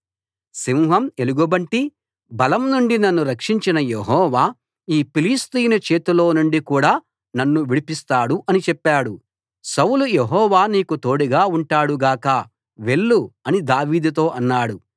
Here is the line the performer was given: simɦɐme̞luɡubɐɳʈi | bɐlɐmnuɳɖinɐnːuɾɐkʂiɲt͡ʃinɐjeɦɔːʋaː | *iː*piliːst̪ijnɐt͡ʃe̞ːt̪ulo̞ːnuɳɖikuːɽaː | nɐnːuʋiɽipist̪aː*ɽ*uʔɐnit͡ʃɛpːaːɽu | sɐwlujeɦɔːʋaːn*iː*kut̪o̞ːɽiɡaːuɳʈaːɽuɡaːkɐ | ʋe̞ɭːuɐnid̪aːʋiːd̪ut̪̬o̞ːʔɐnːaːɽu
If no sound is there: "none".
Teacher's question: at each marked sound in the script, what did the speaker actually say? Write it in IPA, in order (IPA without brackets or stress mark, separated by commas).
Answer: iː, ɽ, iː